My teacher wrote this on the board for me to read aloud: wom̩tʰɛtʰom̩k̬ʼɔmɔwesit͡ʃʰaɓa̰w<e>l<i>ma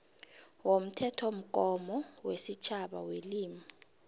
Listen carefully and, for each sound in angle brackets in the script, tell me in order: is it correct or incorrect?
correct, incorrect

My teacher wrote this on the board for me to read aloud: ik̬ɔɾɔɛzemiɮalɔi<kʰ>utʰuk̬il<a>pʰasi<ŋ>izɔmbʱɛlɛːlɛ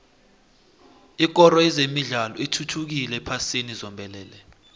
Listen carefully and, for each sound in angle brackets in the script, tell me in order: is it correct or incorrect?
incorrect, incorrect, incorrect

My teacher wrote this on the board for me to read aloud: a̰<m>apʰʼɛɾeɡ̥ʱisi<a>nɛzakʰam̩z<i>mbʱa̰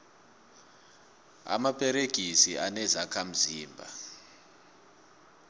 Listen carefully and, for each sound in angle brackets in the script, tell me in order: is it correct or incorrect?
correct, correct, incorrect

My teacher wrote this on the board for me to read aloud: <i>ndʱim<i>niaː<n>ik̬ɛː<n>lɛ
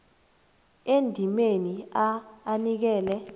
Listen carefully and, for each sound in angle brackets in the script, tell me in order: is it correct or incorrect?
incorrect, incorrect, correct, incorrect

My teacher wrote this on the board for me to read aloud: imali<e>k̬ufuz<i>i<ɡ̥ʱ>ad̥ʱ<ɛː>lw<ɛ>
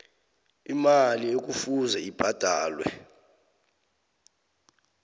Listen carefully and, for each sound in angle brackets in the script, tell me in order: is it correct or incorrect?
correct, incorrect, incorrect, incorrect, correct

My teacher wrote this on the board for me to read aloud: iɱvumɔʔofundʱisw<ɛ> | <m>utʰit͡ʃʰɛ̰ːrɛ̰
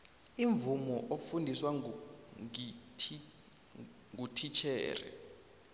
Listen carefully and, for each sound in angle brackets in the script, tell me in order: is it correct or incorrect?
incorrect, incorrect

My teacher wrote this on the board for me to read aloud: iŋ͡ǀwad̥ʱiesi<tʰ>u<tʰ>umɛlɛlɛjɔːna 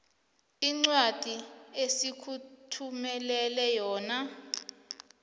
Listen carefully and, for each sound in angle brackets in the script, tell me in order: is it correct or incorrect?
incorrect, correct

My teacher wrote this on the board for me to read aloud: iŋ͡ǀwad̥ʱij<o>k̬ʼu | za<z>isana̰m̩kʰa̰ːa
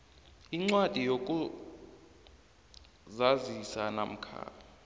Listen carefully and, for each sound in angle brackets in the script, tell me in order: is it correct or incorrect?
correct, correct

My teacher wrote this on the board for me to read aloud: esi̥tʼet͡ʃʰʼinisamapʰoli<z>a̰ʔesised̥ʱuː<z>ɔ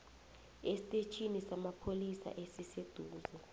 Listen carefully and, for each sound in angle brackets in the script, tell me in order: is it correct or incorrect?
incorrect, correct

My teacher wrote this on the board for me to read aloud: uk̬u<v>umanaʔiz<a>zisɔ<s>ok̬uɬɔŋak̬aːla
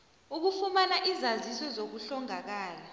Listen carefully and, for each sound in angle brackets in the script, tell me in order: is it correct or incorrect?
incorrect, correct, incorrect

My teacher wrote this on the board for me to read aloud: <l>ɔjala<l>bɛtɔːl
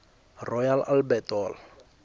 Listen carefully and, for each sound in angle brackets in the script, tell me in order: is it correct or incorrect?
incorrect, correct

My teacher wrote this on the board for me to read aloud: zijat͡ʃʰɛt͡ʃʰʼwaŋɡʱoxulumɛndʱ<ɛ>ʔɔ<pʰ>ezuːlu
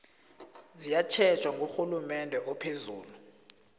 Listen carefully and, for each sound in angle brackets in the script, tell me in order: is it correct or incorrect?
correct, correct

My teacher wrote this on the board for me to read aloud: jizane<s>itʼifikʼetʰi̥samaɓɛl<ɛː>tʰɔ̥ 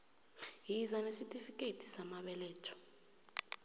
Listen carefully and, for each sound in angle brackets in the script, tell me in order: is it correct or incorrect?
correct, correct

